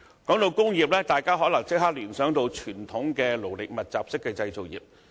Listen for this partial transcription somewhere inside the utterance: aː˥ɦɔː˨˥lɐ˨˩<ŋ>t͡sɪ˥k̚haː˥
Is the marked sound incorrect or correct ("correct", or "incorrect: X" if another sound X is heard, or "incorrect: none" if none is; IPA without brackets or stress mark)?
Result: correct